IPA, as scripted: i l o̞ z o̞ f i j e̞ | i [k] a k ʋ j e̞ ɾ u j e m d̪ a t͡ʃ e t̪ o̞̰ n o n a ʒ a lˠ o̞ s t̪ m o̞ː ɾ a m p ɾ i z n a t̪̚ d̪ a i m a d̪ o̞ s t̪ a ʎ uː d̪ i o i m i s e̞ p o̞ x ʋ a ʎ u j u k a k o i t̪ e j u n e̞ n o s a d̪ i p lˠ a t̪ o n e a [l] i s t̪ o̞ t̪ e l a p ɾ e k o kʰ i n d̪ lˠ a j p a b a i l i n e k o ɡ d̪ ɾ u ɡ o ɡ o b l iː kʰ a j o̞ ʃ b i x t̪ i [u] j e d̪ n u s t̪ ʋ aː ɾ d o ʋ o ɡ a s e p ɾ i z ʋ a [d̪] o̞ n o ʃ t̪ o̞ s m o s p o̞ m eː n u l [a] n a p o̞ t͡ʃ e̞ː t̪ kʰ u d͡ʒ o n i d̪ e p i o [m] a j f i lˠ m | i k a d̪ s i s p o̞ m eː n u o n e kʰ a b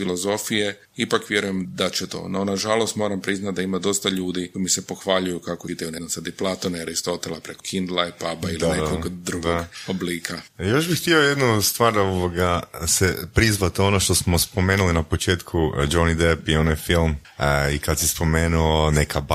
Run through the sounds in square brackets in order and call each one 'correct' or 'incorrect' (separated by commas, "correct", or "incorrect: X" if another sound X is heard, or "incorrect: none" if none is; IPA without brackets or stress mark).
incorrect: p, incorrect: ɾ, incorrect: o, incorrect: t̪, incorrect: i, incorrect: n